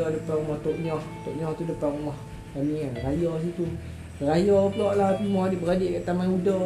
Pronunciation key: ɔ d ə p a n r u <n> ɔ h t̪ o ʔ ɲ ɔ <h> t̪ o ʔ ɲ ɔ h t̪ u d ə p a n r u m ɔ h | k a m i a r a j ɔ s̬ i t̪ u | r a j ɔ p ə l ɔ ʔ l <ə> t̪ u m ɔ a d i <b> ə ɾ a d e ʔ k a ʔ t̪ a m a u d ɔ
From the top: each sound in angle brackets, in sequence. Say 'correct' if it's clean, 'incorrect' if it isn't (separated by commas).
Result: incorrect, correct, incorrect, correct